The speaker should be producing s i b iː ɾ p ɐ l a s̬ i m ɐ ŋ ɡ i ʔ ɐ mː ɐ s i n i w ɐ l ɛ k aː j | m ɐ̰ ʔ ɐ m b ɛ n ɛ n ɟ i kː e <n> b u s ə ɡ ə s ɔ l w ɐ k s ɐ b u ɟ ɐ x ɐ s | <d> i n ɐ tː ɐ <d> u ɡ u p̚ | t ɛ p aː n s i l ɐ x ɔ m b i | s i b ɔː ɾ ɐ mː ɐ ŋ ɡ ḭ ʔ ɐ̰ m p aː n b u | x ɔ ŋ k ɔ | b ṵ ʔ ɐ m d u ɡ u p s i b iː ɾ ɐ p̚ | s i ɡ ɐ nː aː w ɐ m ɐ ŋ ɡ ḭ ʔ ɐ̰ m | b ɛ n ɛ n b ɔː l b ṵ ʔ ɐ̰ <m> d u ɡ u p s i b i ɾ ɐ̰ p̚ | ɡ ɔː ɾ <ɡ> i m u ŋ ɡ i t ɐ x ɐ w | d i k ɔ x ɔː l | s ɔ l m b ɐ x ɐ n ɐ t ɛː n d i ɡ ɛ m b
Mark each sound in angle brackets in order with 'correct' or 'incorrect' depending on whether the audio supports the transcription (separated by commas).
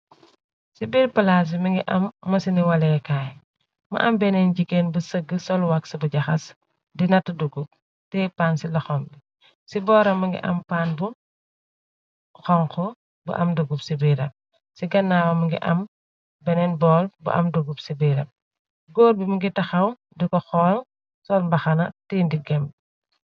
correct, correct, correct, correct, incorrect